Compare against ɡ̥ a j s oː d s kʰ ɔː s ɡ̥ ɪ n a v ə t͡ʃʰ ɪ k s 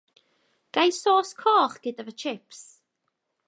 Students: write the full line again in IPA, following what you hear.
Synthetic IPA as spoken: ɡ̥ a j s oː s kʰ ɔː χ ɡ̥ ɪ d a v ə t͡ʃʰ ɪ p s